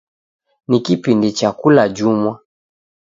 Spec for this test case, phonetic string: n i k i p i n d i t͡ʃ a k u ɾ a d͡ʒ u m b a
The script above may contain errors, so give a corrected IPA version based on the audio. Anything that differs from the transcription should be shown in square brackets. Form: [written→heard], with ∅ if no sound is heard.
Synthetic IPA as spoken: n i k i p i n d i t͡ʃ a k u [ɾ→l] a d͡ʒ u m [b→w] a